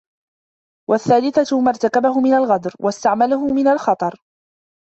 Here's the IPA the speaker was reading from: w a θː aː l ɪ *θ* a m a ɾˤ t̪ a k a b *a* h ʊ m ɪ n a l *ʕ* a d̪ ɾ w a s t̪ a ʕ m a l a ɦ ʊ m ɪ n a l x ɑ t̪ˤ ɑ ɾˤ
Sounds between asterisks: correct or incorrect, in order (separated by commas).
correct, correct, incorrect